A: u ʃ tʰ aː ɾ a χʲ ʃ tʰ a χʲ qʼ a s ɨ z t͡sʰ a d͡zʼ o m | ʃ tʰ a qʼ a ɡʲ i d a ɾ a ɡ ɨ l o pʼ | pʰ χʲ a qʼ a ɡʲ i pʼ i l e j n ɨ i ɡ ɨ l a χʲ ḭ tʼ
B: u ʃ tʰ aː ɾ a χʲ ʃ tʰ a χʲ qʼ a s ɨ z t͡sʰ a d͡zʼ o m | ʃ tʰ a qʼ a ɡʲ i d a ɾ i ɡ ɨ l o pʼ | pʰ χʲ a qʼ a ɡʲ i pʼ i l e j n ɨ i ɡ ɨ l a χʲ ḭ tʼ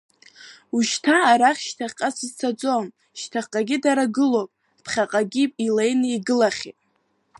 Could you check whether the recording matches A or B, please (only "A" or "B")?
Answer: A